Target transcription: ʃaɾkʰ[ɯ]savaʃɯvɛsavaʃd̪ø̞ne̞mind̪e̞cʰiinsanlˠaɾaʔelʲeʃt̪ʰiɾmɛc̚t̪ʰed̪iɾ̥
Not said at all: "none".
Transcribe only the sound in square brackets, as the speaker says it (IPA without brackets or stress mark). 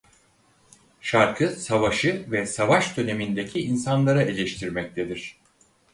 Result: ɯ